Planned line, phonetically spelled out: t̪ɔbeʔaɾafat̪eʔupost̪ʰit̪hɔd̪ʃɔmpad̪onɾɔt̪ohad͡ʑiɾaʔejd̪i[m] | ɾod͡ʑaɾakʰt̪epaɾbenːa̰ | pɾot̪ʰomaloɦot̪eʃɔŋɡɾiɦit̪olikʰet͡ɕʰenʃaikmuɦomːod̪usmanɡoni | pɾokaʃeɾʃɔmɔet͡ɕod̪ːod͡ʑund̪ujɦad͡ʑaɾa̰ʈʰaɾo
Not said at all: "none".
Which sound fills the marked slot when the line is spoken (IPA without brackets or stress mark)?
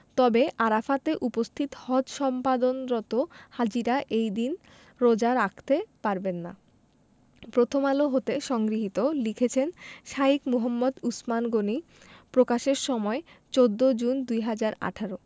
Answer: n